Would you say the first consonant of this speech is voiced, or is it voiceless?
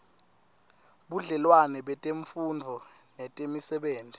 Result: voiced